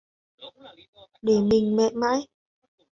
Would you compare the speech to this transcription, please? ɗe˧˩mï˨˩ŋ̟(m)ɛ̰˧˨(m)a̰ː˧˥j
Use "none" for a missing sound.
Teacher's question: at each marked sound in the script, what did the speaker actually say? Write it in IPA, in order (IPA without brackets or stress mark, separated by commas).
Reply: m, m